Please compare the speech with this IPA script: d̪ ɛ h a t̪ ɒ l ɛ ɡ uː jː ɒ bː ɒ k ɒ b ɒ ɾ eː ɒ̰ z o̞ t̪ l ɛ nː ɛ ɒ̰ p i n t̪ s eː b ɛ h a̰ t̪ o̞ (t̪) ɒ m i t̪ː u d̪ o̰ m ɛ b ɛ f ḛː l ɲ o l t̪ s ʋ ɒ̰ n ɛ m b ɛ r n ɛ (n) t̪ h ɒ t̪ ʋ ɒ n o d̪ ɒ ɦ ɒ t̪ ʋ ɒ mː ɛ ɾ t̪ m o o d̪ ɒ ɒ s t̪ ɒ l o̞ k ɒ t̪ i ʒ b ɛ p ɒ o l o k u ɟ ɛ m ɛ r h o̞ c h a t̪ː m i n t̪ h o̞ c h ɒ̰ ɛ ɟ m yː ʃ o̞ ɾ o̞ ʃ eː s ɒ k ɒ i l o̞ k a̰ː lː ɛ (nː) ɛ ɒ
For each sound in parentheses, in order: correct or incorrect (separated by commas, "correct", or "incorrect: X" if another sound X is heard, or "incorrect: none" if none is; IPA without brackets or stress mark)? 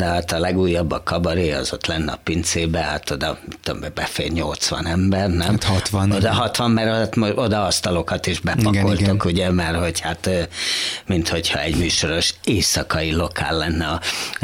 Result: incorrect: d̪, incorrect: m, correct